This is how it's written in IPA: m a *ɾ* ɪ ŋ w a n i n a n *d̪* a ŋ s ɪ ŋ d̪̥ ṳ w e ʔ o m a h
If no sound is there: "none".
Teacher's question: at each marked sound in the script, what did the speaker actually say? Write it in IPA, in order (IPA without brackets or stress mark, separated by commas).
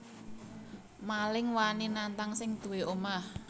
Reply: l, t̪